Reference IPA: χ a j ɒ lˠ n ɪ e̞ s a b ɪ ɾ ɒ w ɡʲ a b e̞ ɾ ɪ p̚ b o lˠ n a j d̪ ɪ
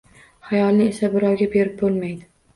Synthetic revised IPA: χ a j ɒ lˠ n ɪ e̞ s a b ɪ ɾ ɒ w ɡʲ a b e̞ ɾ ɪ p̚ b o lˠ m a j d̪ ɪ